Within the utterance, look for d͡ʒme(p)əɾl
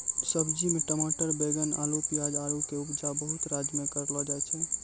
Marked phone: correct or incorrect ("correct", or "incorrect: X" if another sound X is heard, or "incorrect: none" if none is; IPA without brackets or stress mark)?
incorrect: k